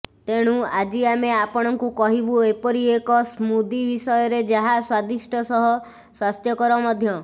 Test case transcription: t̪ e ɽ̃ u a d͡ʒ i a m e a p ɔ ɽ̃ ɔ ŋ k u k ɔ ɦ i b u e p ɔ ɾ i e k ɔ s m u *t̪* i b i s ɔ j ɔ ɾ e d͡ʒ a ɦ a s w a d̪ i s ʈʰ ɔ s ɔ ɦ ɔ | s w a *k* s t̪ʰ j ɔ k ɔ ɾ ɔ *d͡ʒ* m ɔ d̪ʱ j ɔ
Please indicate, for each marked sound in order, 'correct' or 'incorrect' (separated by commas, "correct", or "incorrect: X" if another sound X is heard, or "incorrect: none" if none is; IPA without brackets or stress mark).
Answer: incorrect: d̪, incorrect: none, incorrect: none